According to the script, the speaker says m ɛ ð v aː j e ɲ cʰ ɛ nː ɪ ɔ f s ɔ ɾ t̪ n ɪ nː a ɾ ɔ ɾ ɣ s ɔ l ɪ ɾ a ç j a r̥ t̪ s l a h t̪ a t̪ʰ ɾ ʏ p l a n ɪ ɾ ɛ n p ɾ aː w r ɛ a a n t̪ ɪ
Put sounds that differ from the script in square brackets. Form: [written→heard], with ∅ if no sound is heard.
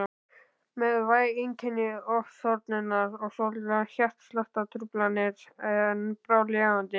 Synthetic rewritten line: m ɛ ð v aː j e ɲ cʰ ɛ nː ɪ ɔ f s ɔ ɾ t̪ n ɪ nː a ɾ ɔ [ɾ→∅] ɣ s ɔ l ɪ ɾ a ç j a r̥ t̪ s l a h t̪ a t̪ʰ ɾ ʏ p l a n ɪ ɾ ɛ n p ɾ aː w [r→l] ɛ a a n t̪ ɪ